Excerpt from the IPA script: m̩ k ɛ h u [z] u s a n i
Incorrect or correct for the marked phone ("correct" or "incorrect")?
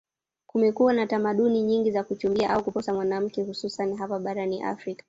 incorrect